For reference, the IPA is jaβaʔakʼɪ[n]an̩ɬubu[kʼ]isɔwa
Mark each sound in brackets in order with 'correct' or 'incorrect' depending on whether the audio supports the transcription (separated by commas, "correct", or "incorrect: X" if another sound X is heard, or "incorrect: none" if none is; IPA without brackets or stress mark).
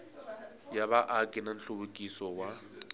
correct, correct